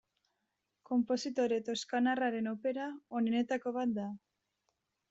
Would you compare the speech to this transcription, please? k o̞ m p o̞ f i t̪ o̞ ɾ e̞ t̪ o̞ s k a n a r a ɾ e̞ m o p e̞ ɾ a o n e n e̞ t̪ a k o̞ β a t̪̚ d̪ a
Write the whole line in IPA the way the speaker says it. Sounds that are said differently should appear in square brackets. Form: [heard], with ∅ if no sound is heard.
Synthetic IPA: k o̞ m p o̞ [s] i t̪ o̞ ɾ e̞ t̪ o̞ s k a n a r a ɾ e̞ [n] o p e̞ ɾ a o n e n e̞ t̪ a k o̞ β a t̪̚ d̪ a